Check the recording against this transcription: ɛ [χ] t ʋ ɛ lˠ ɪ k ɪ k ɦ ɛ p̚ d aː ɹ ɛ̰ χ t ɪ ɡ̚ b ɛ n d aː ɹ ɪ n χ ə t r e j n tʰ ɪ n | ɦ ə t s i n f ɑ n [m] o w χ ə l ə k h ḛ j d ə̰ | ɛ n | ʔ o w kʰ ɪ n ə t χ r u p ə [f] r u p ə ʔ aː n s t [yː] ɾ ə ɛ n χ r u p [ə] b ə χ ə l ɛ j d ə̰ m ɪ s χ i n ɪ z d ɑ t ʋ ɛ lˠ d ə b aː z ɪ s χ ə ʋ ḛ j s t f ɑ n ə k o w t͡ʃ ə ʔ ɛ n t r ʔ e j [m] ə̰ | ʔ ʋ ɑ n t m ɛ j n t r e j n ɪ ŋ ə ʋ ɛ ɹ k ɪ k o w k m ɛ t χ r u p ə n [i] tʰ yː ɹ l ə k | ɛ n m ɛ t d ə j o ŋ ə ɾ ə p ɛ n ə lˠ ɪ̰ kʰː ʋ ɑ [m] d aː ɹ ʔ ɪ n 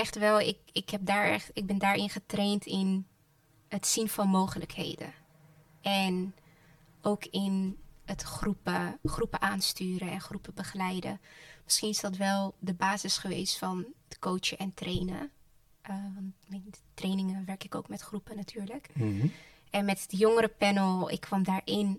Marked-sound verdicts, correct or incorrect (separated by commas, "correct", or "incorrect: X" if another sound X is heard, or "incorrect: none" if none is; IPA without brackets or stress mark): correct, correct, incorrect: χ, correct, correct, incorrect: n, incorrect: a, correct